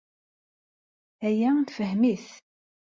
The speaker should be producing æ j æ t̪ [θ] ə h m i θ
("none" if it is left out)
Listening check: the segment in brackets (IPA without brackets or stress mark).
f